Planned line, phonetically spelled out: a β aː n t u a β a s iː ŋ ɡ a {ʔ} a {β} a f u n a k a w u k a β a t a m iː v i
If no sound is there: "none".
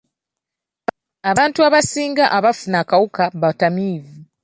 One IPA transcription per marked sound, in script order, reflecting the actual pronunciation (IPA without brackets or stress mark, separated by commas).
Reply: ʔ, β